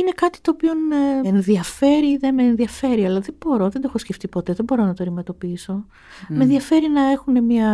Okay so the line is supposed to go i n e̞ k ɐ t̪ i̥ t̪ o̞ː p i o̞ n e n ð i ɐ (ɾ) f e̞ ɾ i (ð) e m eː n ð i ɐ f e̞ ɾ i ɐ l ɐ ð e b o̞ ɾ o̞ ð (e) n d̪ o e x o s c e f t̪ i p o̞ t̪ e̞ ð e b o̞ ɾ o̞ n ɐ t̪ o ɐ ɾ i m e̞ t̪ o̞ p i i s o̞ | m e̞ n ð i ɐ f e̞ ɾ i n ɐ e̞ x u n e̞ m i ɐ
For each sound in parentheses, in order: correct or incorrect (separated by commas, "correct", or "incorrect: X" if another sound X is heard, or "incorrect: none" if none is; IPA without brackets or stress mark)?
incorrect: none, correct, correct